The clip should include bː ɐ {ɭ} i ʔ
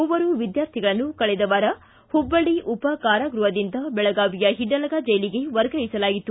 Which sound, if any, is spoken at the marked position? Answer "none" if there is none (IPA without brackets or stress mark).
ɽ